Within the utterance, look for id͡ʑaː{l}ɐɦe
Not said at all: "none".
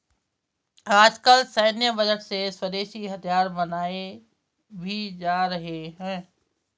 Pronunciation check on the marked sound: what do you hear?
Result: ɾ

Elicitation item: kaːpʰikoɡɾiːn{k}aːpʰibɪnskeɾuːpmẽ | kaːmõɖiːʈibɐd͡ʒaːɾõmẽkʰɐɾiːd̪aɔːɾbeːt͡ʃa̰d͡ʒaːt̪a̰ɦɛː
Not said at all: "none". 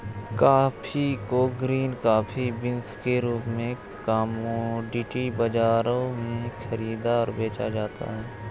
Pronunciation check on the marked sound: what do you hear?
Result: k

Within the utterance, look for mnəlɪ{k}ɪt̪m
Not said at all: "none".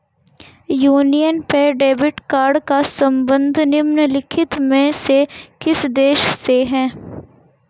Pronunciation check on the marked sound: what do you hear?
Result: kʰ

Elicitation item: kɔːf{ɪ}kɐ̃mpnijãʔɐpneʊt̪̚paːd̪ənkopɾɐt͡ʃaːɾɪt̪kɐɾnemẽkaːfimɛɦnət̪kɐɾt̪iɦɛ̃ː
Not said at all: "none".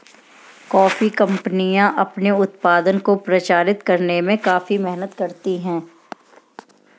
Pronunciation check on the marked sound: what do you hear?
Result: i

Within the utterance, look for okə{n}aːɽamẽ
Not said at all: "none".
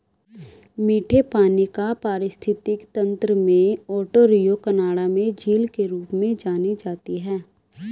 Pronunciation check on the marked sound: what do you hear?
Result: n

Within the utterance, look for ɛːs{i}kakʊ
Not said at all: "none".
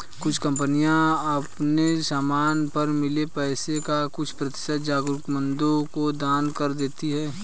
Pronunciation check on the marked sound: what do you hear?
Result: e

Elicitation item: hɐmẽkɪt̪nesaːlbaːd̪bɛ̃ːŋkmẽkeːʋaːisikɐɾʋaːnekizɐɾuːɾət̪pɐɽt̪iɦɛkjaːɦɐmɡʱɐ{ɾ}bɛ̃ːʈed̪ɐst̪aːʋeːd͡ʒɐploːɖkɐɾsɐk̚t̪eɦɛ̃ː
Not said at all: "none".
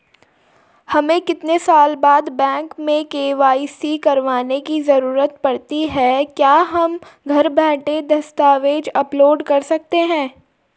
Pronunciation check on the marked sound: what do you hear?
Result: ɾ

